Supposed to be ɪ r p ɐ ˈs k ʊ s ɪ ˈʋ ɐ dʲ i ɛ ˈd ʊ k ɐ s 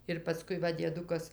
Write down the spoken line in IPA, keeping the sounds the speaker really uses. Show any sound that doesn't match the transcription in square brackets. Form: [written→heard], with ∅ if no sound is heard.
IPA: ɪ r p ɐ ˈs k ʊ [s→∅] ɪ ˈʋ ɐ dʲ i ɛ ˈd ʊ k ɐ s